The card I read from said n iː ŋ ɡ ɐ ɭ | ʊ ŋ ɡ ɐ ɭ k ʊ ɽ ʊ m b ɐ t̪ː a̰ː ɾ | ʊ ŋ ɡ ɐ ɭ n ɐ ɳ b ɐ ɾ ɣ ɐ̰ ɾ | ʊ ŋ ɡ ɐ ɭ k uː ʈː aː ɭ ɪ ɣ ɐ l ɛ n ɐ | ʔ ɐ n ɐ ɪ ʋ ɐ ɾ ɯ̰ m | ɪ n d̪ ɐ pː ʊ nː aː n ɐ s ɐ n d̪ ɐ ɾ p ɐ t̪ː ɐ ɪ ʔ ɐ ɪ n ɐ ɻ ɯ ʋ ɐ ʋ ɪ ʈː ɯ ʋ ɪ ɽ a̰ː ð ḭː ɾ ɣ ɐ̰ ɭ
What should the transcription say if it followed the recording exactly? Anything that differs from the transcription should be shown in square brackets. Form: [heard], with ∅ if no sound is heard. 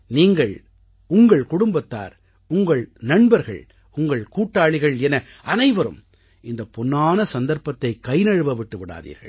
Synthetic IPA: n iː ŋ ɡ ɐ ɭ | ʊ ŋ ɡ ɐ ɭ k ʊ ɽ ʊ m b ɐ t̪ː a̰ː ɾ | ʊ ŋ ɡ ɐ ɭ n ɐ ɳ b ɐ ɾ ɣ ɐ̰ [ɭ] | ʊ ŋ ɡ ɐ ɭ k uː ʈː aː ɭ ɪ ɣ ɐ [ɭ] ɛ n ɐ | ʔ ɐ n ɐ ɪ ʋ ɐ ɾ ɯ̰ m | ɪ n d̪ ɐ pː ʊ nː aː n ɐ s ɐ n d̪ ɐ ɾ p ɐ t̪ː ɐ ɪ [k] ɐ ɪ n ɐ ɻ ɯ ʋ ɐ ʋ ɪ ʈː ɯ ʋ ɪ ɽ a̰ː ð ḭː ɾ ɣ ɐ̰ ɭ